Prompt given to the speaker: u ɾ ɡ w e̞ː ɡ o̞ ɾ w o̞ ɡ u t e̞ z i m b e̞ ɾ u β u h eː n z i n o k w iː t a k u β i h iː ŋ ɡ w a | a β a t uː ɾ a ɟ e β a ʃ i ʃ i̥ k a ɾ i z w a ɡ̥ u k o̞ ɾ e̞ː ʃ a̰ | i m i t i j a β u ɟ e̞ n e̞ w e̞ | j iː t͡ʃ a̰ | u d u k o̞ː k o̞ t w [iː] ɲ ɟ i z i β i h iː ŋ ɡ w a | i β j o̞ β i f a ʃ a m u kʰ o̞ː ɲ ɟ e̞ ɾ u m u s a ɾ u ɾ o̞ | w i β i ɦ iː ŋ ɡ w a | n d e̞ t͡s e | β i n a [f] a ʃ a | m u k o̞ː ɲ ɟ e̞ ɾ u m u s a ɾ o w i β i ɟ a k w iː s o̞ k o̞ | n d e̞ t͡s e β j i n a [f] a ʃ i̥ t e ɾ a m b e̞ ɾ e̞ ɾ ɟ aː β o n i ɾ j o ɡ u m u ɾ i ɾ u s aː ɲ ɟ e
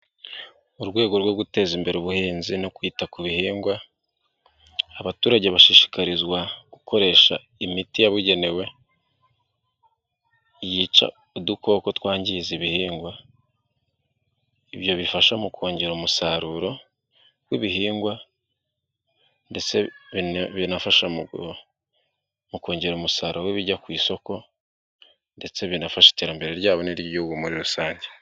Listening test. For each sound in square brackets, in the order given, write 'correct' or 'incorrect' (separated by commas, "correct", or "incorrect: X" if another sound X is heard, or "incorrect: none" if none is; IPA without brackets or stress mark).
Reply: incorrect: aː, correct, correct